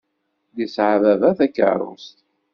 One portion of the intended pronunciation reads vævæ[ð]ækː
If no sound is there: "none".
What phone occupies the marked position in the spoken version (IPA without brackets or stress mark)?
θ